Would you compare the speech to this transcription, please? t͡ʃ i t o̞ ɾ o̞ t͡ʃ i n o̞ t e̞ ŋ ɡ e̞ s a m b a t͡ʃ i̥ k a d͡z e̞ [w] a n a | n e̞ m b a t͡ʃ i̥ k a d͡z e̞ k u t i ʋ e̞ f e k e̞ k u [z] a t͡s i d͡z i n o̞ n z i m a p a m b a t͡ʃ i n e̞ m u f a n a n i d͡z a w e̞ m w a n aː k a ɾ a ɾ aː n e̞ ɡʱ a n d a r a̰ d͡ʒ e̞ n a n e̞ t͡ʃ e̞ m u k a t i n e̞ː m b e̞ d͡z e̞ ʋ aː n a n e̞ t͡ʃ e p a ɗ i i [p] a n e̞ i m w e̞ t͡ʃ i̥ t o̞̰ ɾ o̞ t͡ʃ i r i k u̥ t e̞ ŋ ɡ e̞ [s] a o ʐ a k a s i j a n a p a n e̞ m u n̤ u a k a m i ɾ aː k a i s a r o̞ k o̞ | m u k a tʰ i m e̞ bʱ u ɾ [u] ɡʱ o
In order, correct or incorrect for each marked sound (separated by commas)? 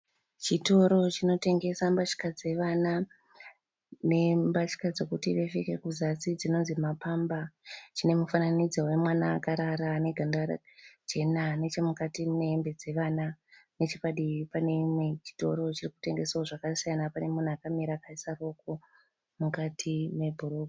incorrect, correct, correct, correct, incorrect